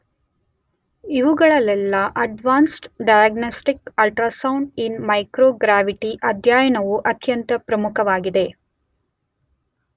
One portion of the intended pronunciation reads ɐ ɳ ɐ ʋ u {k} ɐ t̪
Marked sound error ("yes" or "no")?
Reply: yes